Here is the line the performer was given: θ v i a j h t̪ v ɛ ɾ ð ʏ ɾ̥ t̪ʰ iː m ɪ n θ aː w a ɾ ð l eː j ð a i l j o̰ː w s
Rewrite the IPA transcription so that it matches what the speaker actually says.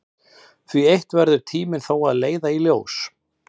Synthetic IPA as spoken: θ v i e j h t̪ v ɛ ɾ ð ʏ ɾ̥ t̪ʰ iː m ɪ n θ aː w a ð l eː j ð a i l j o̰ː w s